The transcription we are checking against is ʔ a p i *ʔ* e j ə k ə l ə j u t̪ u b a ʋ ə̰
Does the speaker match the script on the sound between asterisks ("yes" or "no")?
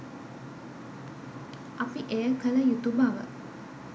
yes